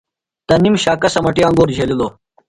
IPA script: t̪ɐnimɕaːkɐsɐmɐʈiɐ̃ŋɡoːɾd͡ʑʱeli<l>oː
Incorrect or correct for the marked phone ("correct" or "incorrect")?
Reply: correct